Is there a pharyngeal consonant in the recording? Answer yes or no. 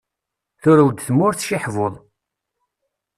yes